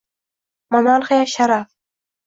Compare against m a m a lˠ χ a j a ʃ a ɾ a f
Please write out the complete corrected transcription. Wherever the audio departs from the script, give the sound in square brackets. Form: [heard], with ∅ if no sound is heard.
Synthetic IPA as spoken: m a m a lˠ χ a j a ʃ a ɾ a f